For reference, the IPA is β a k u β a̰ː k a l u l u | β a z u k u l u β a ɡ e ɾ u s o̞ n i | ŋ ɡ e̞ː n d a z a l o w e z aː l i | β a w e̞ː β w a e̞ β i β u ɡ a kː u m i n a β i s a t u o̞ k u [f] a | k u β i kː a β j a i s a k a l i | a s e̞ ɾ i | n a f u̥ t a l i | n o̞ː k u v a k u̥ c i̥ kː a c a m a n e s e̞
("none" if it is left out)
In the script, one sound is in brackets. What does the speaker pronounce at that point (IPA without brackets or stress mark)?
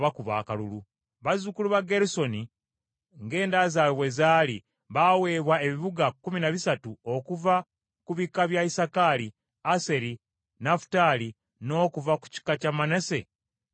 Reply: v